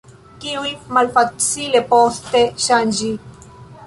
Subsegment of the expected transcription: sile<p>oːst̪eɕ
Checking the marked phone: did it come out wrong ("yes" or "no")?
no